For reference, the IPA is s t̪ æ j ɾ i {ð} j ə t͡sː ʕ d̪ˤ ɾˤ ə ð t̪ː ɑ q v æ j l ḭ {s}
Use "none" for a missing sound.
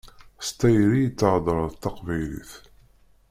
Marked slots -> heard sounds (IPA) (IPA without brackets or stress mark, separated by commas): none, θ